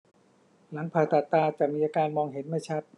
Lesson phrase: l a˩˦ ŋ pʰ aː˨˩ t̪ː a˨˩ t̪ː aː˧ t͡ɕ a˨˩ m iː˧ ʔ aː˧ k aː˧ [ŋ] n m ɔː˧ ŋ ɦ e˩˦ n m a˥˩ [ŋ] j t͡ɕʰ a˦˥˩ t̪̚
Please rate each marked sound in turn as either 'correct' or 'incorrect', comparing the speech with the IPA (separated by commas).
incorrect, incorrect